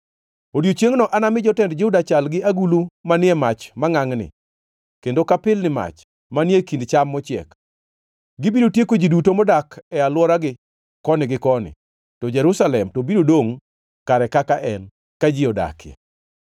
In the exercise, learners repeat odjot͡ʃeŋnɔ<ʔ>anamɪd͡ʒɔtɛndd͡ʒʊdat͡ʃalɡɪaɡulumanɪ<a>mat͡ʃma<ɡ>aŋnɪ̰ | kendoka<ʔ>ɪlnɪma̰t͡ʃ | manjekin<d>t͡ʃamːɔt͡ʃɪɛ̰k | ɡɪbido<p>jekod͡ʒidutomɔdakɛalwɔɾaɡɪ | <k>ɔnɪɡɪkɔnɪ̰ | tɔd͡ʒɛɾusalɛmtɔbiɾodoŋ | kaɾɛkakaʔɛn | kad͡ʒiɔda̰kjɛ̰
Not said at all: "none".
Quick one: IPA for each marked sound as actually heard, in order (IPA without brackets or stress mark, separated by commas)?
ʔ, ɛ, ŋ, p, d, t, k